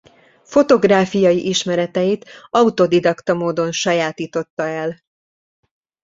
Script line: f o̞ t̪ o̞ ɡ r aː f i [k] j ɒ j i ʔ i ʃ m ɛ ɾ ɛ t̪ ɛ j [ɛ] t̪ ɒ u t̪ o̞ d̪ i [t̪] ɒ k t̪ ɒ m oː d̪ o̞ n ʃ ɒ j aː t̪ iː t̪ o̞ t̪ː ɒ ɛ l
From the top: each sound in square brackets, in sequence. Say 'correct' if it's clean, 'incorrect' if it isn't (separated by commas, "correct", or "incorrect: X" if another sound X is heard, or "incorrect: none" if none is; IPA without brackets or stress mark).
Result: incorrect: none, incorrect: i, incorrect: d̪